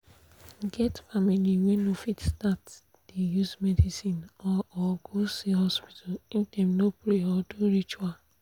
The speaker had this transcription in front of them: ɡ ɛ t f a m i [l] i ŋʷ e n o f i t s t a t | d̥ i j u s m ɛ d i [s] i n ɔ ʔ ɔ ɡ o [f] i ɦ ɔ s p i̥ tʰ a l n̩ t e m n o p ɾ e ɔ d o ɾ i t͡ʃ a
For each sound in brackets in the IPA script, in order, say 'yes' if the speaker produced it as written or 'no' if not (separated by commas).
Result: yes, yes, no